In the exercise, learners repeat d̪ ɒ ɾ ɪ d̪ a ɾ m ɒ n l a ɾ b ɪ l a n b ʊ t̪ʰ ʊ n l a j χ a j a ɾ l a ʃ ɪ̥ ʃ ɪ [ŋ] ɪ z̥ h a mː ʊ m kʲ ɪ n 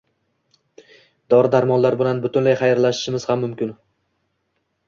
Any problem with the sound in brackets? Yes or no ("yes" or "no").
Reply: yes